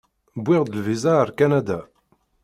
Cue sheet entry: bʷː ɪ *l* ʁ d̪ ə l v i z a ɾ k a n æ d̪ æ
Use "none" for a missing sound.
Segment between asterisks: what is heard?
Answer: none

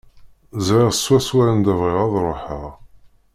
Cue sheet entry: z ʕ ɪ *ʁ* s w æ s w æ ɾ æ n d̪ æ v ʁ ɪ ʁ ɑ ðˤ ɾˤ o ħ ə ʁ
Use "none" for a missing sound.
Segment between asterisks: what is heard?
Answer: ʁ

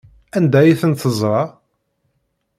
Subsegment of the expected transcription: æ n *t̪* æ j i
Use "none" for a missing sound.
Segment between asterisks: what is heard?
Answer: d̪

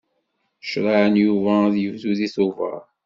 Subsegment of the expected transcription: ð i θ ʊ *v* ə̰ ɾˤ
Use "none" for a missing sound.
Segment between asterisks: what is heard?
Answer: v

